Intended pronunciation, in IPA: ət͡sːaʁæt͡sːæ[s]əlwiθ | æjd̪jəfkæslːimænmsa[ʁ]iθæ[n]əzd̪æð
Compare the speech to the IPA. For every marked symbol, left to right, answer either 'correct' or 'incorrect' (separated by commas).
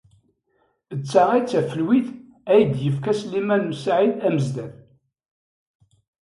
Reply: incorrect, incorrect, incorrect